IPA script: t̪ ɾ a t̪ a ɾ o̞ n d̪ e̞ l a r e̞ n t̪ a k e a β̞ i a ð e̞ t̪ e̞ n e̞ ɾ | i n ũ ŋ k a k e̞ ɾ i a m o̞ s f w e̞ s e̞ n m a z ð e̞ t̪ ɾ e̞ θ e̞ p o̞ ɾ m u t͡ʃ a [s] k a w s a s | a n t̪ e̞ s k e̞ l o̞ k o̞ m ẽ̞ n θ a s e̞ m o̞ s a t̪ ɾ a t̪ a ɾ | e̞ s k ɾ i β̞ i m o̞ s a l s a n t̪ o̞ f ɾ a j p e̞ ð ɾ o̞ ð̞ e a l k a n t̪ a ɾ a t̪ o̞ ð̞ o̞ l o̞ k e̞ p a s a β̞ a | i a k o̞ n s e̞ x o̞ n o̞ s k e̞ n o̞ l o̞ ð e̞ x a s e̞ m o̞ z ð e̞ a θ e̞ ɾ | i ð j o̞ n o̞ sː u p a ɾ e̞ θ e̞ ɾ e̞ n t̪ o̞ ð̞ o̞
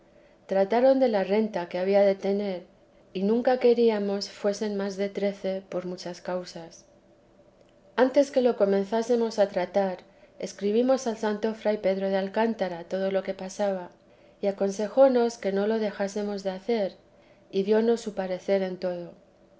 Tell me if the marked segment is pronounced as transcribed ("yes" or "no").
yes